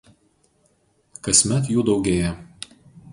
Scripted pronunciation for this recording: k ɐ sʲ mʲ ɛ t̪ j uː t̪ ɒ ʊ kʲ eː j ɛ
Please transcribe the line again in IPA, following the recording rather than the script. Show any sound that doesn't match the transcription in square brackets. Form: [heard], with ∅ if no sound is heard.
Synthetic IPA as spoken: k ɐ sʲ mʲ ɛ t̪ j uː [d̪] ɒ ʊ [ɡʲ] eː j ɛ